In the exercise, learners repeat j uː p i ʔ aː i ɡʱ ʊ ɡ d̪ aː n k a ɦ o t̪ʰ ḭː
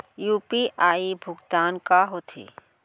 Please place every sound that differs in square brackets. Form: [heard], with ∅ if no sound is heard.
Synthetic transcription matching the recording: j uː p i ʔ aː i [bʱ] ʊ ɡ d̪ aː n k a ɦ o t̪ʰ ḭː

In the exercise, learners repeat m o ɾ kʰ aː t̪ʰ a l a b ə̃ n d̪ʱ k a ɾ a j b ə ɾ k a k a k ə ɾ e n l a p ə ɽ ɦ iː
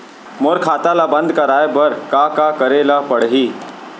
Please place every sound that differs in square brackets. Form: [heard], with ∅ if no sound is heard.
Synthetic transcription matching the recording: m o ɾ kʰ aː [t̪] a l a b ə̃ n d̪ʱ k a ɾ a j b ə ɾ k a k a k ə ɾ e [∅] l a p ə ɽ ɦ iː

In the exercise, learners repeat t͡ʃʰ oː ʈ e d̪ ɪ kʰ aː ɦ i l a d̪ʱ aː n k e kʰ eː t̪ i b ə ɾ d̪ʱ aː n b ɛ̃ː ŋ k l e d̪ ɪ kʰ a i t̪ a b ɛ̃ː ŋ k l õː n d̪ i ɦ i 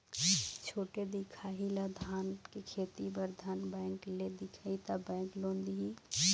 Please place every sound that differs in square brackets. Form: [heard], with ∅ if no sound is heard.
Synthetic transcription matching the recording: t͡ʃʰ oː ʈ e d̪ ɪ kʰ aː ɦ i l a d̪ʱ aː n k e kʰ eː t̪ i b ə ɾ d̪ʱ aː n b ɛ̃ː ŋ k l e d̪ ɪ kʰ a i t̪ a b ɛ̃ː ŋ k l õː n d̪ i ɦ i

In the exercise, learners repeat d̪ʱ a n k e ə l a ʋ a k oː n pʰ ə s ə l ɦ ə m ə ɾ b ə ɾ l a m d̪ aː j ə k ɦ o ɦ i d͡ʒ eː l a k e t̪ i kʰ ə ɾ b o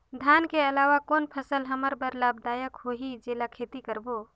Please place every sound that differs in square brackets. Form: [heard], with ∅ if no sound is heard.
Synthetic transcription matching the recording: d̪ʱ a n k e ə l a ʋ a k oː n pʰ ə s ə l ɦ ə m ə ɾ b ə ɾ l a [b] d̪ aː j ə k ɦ o ɦ i d͡ʒ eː l a [kʰ] e t̪ i [k] ə ɾ b o

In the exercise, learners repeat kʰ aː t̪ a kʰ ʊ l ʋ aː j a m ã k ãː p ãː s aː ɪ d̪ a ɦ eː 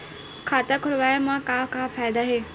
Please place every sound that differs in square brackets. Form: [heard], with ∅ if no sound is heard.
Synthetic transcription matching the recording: kʰ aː t̪ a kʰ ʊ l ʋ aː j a m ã k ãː [k] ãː [f] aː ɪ d̪ a ɦ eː

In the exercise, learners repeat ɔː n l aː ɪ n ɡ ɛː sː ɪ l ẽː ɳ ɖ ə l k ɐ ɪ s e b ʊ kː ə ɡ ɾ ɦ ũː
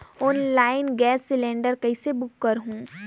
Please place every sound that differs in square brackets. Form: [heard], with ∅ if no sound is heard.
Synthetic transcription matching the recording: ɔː n l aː ɪ n ɡ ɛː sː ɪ l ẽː ɳ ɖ ə [ɾ] k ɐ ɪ s e b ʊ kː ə [∅] ɾ ɦ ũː

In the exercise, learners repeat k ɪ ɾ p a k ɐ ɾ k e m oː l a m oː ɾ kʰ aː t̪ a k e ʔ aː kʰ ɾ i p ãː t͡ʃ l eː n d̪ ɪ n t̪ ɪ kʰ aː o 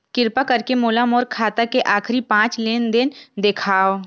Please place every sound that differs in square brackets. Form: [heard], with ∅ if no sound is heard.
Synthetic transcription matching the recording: k ɪ ɾ p a k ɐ ɾ k e m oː l a m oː ɾ kʰ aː t̪ a k e ʔ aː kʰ ɾ i p ãː t͡ʃ l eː n d̪ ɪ n [d̪] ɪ kʰ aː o

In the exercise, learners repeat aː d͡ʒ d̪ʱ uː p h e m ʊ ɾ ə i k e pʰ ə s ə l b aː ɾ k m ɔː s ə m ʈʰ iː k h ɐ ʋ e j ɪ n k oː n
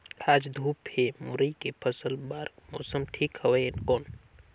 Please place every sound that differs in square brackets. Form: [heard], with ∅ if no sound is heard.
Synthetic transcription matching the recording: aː d͡ʒ d̪ʱ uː p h e m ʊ ɾ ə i k e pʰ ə s ə l b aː ɾ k m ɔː s ə m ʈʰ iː k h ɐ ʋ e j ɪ n k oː n

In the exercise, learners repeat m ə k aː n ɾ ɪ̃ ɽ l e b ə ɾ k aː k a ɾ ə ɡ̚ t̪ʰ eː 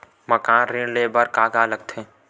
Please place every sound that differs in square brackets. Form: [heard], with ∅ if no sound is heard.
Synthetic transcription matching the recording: m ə k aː n ɾ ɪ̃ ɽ l e b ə ɾ k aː [ɡ] a [l] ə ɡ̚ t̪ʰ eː

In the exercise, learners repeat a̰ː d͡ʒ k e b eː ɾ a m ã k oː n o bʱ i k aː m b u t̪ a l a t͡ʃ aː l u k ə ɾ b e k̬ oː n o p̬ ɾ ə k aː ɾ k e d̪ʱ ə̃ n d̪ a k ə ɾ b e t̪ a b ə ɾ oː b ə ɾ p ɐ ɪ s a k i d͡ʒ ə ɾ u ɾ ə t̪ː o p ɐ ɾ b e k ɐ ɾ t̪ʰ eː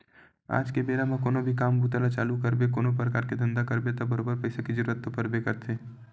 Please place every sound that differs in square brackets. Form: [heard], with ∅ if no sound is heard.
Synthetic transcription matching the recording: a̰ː d͡ʒ k e b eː ɾ a m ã k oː n o bʱ i k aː m b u t̪ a l a t͡ʃ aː l u k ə ɾ b e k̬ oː n o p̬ ɾ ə k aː ɾ k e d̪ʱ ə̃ n d̪ a k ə ɾ b e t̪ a b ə ɾ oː b ə ɾ p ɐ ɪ s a k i d͡ʒ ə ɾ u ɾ ə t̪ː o p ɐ ɾ b e k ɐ ɾ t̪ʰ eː

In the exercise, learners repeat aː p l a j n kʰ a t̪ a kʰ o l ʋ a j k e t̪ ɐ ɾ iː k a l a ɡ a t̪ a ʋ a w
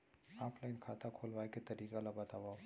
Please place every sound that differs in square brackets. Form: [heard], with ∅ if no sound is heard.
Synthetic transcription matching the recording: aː p l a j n kʰ a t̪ a kʰ o l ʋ a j k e t̪ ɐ ɾ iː k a l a [b] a t̪ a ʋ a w

